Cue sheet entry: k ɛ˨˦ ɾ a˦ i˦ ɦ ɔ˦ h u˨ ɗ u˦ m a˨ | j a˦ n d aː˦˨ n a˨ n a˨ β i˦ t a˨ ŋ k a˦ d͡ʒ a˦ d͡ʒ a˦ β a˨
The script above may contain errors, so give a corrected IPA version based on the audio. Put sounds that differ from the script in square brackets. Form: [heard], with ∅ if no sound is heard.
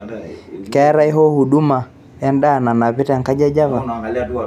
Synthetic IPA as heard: k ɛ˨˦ ɾ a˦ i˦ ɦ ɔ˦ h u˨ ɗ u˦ m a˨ | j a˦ n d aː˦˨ n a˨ n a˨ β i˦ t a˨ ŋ k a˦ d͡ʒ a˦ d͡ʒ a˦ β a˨

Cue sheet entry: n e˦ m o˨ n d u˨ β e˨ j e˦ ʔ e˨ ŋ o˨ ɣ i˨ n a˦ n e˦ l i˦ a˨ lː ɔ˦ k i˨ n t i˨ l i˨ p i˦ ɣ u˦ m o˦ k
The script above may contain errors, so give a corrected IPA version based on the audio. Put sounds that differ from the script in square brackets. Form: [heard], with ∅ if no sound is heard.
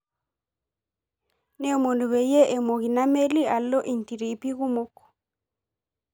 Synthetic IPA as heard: n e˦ m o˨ n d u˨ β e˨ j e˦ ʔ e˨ [m] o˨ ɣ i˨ n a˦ [m] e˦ l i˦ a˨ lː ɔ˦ [ʔ] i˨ n t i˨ [ɾ] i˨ p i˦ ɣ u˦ m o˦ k

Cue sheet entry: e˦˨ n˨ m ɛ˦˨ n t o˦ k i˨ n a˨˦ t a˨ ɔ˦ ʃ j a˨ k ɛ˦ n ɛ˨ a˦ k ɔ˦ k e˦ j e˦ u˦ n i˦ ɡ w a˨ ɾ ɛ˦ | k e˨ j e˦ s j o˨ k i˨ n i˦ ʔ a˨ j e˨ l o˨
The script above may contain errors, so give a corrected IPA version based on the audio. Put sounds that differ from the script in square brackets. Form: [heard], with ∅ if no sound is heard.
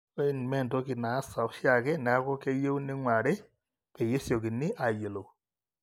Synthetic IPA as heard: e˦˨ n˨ m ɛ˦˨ n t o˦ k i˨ n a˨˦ [s] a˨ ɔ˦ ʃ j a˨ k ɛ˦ n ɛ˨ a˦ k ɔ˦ k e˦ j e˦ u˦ n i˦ [ŋ] w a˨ ɾ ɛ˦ | k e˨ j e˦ s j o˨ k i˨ n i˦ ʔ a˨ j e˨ l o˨

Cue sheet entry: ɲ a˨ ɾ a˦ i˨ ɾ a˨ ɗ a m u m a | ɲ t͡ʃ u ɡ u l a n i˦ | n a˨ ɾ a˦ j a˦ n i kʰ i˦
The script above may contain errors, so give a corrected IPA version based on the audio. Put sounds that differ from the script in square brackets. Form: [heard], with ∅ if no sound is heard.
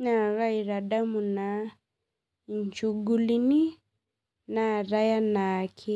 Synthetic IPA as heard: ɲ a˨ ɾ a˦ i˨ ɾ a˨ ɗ a m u [n] a | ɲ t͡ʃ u ɡ u l [i] n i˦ | n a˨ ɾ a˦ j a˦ n [a] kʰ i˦

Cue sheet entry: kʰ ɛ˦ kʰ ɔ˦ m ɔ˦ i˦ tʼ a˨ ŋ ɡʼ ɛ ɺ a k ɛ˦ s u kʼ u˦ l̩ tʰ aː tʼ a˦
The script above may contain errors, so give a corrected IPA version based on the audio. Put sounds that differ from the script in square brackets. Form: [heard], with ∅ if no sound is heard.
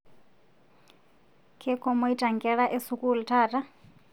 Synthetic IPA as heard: kʰ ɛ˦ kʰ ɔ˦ m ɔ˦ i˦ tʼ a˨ ŋ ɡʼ ɛ ɺ a [ʔ] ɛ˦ s u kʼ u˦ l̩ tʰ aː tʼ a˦

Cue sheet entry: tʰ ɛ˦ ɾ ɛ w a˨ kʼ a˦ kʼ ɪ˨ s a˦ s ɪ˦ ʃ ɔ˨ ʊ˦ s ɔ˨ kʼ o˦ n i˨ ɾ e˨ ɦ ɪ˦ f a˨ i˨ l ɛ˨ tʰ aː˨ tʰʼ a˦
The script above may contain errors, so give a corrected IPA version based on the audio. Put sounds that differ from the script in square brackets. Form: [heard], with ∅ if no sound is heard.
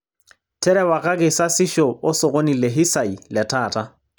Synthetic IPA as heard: tʰ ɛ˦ ɾ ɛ w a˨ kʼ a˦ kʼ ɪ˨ s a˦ s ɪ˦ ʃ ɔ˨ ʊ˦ s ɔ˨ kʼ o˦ n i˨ [l] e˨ ɦ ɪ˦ [s] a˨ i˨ l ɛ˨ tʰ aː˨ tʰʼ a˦

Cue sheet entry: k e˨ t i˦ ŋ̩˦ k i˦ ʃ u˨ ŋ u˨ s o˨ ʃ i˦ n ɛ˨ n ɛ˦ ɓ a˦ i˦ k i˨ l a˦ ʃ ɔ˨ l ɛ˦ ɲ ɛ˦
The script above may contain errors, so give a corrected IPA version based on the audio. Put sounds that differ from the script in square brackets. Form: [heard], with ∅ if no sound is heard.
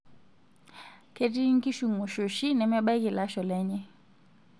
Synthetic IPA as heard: k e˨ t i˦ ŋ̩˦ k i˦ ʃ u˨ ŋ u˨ [ʃ] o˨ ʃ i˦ n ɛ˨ [m] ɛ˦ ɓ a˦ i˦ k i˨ l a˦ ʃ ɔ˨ l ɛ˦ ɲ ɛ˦

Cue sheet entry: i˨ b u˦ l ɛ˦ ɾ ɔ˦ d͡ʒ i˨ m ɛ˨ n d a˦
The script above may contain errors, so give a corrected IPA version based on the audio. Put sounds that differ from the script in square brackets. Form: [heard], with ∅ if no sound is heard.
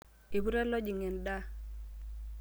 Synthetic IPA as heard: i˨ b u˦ [ɾ] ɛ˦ [l] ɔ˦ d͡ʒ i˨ [ŋ] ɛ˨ n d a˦

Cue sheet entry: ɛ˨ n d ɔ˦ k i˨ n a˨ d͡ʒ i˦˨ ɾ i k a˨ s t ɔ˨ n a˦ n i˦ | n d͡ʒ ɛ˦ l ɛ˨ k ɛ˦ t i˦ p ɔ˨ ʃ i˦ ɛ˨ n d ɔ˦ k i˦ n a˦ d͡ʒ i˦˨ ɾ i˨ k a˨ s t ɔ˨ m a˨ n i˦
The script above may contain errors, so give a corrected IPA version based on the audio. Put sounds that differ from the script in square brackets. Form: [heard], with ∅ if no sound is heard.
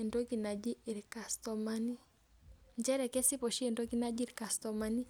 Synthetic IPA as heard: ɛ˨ n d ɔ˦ k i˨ n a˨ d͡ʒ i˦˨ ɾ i k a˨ s t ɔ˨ [m] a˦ n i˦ | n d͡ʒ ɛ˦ [ɾ] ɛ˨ k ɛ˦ [s] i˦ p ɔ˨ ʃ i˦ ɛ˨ n d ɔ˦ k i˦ n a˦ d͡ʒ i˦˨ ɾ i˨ k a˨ s t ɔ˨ m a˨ n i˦

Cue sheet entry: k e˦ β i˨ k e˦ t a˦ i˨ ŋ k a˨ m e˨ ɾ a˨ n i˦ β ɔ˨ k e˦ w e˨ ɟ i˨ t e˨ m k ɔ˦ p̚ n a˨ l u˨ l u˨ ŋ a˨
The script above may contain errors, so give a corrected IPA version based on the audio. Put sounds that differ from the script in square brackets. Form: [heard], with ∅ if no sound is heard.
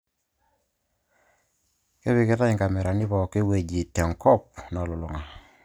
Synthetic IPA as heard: k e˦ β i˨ k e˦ t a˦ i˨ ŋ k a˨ m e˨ ɾ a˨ n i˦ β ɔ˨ k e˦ w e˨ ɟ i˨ t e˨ [ŋ] k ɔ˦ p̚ n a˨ l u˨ l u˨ ŋ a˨

